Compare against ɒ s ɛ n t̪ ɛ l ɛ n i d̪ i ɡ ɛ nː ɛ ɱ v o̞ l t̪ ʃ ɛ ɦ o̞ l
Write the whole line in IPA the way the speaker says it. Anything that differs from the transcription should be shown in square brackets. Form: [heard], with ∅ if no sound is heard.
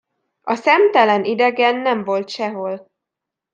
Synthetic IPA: ɒ s ɛ [m] t̪ ɛ l ɛ n i d̪ [ɛ] ɡ ɛ nː ɛ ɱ v o̞ l t̪ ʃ ɛ ɦ o̞ l